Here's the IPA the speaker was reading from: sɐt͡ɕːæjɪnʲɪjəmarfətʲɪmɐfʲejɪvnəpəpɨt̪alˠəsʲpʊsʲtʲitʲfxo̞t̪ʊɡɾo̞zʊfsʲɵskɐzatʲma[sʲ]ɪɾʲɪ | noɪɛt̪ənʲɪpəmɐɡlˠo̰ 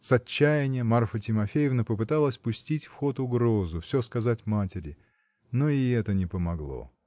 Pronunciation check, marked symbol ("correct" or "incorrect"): incorrect